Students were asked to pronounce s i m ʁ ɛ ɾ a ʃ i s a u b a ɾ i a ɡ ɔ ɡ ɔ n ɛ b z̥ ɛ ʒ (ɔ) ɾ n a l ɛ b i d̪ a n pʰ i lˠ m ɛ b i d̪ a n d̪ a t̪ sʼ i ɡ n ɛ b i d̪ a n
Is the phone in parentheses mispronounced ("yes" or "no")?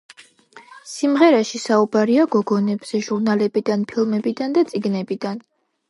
yes